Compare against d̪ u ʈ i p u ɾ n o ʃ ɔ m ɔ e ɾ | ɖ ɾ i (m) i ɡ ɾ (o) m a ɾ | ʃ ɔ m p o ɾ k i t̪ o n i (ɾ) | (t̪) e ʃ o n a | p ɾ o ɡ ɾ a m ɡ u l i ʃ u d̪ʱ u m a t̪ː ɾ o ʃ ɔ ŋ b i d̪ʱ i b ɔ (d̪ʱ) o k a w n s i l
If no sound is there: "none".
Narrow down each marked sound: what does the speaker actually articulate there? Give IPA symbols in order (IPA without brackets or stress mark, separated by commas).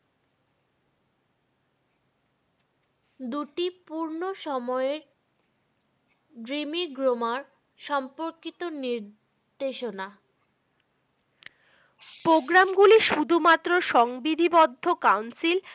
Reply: m, o, ɾ, d̪, d̪ʱː